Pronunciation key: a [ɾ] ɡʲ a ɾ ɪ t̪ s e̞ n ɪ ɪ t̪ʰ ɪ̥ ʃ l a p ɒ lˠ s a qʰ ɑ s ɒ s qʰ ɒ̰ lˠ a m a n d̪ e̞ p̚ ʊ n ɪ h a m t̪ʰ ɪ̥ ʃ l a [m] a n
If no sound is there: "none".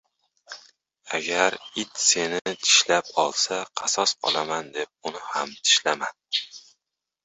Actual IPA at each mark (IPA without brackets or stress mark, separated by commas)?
none, m